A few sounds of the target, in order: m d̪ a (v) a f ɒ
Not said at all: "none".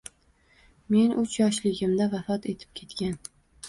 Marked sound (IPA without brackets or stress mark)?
v